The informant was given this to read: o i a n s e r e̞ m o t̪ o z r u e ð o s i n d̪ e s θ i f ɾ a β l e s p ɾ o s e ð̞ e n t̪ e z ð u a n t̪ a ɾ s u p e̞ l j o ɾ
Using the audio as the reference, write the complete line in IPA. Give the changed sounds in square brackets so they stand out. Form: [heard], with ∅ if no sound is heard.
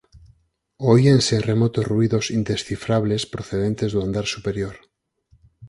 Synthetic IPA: o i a n s e r e̞ m o t̪ o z r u [i] ð o s i n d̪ e s θ i f ɾ a β l e s p ɾ o [θ] e ð̞ e n t̪ e z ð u a n [d̪] a ɾ s u p e̞ [ɾ] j o ɾ